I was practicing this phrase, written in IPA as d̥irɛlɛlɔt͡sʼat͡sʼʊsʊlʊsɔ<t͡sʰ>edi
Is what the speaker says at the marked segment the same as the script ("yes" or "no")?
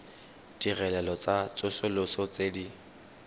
no